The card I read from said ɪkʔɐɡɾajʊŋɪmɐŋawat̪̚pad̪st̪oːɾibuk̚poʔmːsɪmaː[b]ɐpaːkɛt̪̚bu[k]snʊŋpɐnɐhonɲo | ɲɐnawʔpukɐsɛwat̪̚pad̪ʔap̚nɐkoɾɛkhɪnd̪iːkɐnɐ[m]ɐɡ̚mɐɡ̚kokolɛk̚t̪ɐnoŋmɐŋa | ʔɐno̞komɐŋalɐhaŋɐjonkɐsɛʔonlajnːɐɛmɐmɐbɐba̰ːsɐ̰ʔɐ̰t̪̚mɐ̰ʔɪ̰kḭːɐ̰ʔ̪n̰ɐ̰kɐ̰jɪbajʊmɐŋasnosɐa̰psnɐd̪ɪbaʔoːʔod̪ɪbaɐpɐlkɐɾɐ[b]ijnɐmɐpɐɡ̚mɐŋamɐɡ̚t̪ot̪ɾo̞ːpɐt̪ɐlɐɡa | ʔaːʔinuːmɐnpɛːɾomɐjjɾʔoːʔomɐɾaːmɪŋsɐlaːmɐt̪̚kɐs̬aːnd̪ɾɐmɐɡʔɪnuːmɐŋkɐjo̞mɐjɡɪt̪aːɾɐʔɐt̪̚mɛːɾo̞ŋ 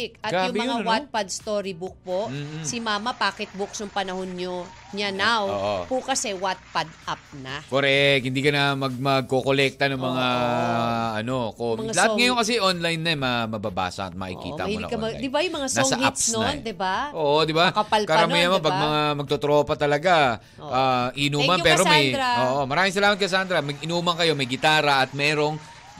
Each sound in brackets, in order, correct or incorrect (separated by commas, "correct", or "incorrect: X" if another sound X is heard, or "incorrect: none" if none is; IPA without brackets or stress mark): incorrect: m, correct, correct, incorrect: m